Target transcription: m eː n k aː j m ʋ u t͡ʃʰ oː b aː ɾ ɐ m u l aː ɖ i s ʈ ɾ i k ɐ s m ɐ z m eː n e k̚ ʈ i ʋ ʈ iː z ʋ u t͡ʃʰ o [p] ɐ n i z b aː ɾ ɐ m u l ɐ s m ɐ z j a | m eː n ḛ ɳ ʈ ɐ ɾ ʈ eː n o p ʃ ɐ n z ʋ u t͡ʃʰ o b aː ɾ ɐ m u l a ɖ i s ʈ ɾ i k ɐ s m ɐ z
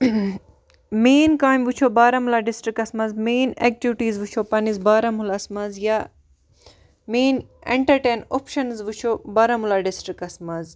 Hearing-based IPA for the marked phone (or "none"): p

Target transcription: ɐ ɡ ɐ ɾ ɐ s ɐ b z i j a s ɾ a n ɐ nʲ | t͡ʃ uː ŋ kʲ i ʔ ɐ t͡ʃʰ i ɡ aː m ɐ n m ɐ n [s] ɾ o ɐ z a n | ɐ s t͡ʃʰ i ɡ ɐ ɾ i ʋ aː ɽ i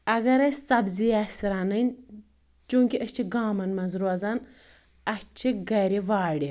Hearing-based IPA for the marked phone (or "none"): z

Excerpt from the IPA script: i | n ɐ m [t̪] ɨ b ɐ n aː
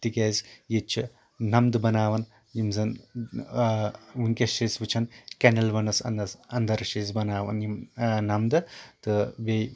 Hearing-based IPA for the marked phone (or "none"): d̪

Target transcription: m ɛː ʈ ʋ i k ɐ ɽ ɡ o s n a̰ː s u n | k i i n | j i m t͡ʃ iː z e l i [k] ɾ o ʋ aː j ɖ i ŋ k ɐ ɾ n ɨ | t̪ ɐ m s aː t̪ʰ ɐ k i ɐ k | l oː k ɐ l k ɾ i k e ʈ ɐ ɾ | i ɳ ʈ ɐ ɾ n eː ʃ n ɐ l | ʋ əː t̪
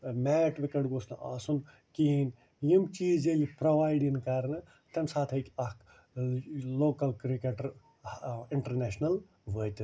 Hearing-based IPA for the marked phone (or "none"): p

